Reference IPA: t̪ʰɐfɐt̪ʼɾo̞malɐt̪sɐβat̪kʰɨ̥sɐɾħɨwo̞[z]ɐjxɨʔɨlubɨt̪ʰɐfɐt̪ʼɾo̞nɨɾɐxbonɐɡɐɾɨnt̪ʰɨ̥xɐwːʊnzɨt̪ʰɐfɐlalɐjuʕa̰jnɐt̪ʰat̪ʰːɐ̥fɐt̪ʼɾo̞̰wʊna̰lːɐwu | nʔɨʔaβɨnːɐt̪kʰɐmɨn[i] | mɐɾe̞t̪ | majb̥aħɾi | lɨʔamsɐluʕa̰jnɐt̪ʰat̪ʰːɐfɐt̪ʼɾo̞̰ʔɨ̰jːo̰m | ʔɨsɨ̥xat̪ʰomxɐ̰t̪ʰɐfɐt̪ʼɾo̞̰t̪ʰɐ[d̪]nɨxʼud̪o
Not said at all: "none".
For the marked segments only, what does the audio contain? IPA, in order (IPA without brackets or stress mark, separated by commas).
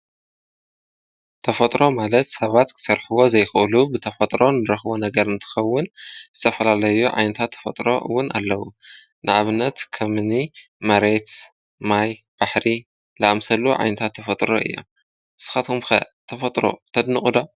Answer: z, i, d̪